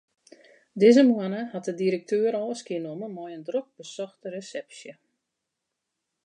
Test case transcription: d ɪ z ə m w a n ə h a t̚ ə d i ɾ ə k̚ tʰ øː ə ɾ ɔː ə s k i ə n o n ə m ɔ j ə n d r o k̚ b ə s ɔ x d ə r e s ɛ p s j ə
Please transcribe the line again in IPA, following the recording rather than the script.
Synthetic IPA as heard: d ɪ z ə m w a n ə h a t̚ ə d i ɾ ə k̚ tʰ øː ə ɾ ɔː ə s k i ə n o m ə m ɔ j ə n d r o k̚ b ə s ɔ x t ə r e s ɛ p s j ə